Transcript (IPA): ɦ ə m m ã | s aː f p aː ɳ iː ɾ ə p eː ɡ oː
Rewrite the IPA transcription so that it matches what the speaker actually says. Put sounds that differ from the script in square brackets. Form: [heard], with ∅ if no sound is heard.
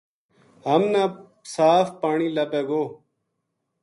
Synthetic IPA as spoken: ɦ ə m [n] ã | s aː f p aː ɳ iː [l] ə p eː ɡ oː